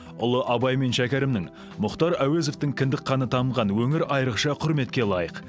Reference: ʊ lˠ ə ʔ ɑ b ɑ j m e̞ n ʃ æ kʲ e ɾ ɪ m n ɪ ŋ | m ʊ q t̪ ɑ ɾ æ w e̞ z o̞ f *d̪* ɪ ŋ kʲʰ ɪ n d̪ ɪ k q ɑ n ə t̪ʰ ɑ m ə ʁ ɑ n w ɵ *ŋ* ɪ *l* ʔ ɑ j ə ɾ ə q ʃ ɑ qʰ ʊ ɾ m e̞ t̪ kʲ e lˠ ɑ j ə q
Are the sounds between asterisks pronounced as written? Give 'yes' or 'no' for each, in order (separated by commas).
no, yes, no